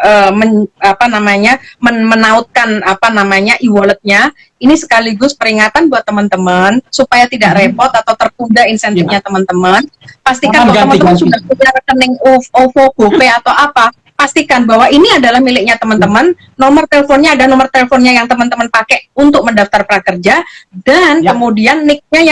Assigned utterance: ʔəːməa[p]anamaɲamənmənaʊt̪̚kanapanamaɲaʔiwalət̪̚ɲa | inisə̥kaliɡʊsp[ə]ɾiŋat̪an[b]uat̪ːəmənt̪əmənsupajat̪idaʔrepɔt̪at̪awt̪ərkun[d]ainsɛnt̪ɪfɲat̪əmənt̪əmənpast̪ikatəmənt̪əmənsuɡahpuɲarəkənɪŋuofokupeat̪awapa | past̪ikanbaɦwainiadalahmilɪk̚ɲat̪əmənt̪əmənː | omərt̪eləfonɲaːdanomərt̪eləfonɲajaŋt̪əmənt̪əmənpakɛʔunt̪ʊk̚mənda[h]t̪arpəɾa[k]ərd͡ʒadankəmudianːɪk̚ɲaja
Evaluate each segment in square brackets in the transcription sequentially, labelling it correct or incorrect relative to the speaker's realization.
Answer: correct, correct, correct, correct, incorrect: f, correct

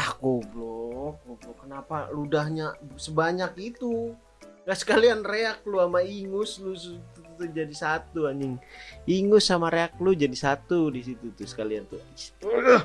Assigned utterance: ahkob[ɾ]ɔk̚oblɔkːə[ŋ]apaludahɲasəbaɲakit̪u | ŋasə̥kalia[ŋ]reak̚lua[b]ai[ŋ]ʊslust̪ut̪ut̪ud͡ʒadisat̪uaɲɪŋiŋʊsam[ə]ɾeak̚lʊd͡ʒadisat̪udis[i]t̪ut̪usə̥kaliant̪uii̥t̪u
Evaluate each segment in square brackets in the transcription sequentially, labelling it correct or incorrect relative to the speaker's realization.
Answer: incorrect: l, incorrect: n, incorrect: n, incorrect: m, correct, incorrect: a, correct

